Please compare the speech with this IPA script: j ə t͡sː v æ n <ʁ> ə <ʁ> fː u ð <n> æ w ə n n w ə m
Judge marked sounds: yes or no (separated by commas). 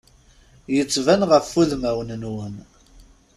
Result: yes, no, no